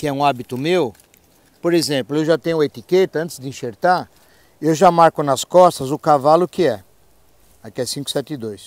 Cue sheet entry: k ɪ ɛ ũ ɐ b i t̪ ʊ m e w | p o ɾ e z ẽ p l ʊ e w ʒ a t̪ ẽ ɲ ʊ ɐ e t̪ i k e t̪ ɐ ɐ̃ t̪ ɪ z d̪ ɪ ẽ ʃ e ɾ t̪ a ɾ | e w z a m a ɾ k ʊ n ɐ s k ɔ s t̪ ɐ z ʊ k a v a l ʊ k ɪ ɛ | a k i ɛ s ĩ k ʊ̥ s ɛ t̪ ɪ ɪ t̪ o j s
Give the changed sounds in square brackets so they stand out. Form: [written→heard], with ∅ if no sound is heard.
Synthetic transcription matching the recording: k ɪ ɛ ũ [ɐ→a] b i t̪ ʊ m e w | p o ɾ e z ẽ p l ʊ e w ʒ a t̪ ẽ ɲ ʊ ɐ e t̪ i k e t̪ ɐ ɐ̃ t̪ ɪ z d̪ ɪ [ẽ→ĩ] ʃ e ɾ t̪ a ɾ | e w [z→ʒ] a m a ɾ k ʊ n ɐ s k ɔ s t̪ ɐ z ʊ k a v a l ʊ k ɪ ɛ | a k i ɛ s ĩ k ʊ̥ s ɛ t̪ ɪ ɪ [t̪→d̪] o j s